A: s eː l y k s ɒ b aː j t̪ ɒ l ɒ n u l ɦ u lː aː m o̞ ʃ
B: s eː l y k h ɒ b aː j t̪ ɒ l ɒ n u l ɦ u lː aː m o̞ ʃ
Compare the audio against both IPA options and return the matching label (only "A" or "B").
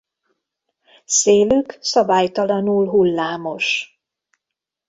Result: A